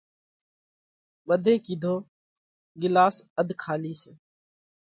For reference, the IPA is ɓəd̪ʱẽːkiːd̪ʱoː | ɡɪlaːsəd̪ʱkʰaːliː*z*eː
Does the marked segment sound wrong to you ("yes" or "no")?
yes